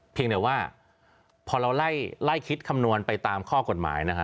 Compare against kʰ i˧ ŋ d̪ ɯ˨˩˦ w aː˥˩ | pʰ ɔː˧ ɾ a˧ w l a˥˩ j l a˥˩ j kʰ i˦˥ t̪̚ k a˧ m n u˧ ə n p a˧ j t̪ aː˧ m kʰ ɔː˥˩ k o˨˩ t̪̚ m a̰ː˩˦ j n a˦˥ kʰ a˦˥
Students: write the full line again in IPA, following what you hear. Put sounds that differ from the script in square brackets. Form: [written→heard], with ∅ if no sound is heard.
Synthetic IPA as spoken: [kʰ→pʰ] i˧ ŋ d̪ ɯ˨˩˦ w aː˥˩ | pʰ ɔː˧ ɾ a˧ w l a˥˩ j l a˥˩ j kʰ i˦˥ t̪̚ [k→kʰ] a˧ m n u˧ ə n p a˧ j t̪ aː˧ m kʰ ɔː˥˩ k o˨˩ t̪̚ m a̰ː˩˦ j n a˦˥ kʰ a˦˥